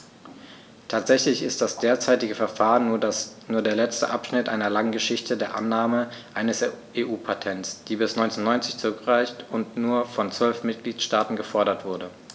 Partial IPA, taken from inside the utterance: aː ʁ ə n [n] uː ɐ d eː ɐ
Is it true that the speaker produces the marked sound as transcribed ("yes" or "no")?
yes